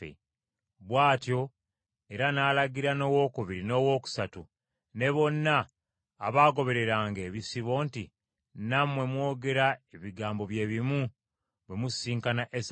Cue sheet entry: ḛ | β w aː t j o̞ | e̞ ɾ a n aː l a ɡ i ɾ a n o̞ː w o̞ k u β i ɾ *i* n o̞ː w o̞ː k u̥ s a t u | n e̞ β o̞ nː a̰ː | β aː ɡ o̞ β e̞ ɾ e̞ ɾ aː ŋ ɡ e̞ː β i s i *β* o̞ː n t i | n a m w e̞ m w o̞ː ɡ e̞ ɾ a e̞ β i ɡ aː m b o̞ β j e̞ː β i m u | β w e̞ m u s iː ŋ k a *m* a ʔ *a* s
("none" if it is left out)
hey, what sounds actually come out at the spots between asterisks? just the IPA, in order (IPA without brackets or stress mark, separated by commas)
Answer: i, β, n, e